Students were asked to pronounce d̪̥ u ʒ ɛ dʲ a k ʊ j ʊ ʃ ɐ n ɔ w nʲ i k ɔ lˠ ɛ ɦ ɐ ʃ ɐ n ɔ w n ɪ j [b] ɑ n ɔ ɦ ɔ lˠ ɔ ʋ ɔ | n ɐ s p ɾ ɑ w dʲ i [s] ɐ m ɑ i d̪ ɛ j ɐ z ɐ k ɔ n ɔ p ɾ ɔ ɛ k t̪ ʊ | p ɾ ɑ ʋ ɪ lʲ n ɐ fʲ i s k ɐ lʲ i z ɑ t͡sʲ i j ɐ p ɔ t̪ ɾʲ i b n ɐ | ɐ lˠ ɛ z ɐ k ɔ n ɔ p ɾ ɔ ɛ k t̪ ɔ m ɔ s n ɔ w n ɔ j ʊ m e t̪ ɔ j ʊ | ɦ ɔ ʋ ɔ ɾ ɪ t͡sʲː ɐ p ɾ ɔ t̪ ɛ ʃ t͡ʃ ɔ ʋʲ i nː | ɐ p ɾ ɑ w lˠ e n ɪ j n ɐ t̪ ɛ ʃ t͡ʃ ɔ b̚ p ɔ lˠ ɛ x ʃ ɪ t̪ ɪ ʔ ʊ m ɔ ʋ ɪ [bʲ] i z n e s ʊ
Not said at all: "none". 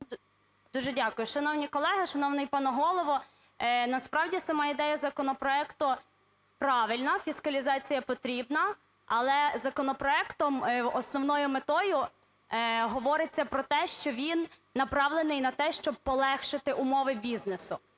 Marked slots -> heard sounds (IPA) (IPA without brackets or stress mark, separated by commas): p, s, bʲ